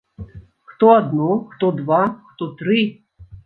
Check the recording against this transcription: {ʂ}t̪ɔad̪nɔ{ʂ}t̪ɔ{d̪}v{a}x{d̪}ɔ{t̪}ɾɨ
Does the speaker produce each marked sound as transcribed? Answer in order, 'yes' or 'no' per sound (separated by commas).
no, no, yes, yes, no, yes